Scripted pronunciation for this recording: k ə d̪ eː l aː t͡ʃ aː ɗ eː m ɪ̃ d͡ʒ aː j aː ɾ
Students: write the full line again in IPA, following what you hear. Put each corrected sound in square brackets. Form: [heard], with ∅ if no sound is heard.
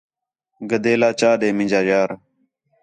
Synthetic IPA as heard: [ɡ] ə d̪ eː l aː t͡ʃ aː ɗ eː m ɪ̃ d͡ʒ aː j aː ɾ

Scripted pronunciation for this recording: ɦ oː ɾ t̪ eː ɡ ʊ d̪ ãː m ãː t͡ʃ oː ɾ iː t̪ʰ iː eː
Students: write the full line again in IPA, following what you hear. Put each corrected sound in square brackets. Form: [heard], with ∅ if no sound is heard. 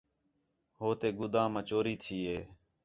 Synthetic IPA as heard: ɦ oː [∅] t̪ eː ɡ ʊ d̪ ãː m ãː t͡ʃ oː ɾ iː t̪ʰ iː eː

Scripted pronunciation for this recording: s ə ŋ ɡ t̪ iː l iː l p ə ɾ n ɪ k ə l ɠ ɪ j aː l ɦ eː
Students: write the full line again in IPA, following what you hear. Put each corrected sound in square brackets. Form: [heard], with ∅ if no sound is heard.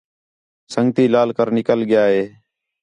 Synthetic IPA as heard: s ə ŋ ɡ t̪ iː l [aː] l [k] ə ɾ n ɪ k ə l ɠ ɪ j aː [∅] ɦ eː

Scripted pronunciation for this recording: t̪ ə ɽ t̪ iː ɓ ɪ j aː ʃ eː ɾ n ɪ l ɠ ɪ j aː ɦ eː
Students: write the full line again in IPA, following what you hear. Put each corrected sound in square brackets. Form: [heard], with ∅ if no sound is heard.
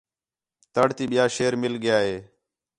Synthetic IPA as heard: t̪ ə ɽ t̪ iː ɓ ɪ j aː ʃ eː ɾ [m] ɪ l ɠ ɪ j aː ɦ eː

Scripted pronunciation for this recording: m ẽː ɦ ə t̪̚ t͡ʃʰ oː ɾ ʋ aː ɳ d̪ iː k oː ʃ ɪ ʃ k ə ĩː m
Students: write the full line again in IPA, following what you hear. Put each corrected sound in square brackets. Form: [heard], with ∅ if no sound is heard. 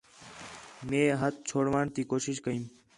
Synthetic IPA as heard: m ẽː ɦ ə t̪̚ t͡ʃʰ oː [ɽ] ʋ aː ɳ [t̪] iː k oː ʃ ɪ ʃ k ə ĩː m

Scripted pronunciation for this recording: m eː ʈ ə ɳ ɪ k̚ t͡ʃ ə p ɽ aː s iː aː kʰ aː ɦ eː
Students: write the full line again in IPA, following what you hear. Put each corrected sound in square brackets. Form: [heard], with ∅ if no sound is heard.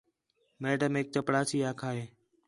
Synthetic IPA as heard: m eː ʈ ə [m] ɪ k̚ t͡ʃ ə p ɽ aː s iː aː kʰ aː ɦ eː

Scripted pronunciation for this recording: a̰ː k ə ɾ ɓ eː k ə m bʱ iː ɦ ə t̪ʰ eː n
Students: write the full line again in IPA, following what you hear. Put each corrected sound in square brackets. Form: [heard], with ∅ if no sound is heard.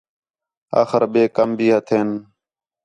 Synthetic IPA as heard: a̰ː [x] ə ɾ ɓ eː k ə m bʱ iː ɦ ə t̪ʰ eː n

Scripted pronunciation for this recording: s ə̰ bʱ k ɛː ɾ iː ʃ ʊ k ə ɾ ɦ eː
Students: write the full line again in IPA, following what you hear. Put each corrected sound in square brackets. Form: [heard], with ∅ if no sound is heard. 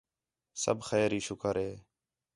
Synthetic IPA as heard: s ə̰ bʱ [x] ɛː ɾ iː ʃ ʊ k ə ɾ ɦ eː

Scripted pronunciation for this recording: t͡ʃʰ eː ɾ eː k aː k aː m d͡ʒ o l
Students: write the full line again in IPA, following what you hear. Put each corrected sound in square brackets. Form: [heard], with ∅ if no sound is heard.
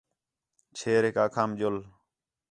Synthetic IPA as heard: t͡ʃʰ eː ɾ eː k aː [kʰ] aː m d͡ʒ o l

